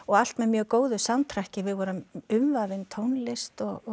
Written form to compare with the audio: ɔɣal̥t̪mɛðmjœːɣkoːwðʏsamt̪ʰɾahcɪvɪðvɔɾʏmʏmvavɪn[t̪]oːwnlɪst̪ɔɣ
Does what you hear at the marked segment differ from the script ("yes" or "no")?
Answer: yes